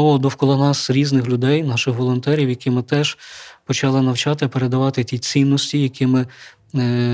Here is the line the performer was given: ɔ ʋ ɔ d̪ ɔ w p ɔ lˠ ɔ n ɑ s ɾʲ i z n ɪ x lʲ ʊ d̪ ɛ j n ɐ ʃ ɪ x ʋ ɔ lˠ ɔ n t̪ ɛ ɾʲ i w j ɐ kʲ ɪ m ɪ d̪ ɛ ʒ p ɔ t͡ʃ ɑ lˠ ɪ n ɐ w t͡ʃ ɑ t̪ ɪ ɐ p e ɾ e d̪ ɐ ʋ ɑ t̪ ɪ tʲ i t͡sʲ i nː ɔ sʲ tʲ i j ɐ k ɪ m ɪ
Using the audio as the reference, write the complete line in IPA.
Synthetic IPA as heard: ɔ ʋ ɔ d̪ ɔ w k ɔ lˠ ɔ n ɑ s ɾʲ i z n ɪ x lʲ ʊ d̪ ɛ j n ɑ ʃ ɪ x ʋ ɔ lˠ ɔ n t̪ ɛ ɾʲ i w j ɐ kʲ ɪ m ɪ t̪ ɛ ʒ p ɔ t͡ʃ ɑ lˠ ɪ n ɐ w t͡ʃ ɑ t̪ ɪ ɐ p e ɾ e d̪ ɐ ʋ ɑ t̪ ɪ tʲ i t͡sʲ i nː ɔ sʲ tʲ i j ɐ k ɪ m ɪ